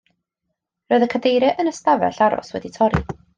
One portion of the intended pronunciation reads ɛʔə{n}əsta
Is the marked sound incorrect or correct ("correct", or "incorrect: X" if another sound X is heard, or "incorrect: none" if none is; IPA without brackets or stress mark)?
correct